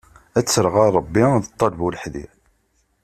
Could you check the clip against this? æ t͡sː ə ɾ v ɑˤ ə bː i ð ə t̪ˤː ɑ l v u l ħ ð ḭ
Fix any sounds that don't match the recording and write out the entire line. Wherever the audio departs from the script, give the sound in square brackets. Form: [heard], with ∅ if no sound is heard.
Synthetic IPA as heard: æ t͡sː ə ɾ [ʁ] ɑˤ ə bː i ð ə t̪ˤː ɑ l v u l ħ ð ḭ